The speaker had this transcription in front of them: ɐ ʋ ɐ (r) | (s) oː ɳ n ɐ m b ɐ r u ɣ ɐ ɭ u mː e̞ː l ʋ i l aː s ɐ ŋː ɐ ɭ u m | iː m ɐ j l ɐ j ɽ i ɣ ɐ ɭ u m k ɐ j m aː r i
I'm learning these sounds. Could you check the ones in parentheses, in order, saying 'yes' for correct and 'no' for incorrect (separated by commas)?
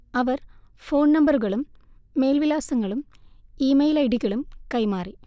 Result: yes, no